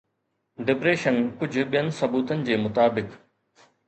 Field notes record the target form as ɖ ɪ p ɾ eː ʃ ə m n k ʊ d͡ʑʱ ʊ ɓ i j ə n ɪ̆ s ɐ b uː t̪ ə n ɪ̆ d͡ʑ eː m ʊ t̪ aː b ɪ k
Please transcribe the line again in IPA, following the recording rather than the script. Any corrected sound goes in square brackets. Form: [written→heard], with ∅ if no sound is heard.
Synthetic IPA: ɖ ɪ p ɾ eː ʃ ə [m→∅] n k ʊ d͡ʑʱ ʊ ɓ i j ə n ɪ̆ s ɐ b uː t̪ ə n ɪ̆ d͡ʑ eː m ʊ t̪ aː b ɪ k